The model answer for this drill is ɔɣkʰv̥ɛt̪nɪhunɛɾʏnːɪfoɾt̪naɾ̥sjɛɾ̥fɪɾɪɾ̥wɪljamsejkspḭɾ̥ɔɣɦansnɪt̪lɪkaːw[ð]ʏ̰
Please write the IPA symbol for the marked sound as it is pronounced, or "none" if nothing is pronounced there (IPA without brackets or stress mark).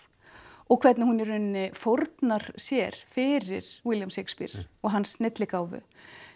v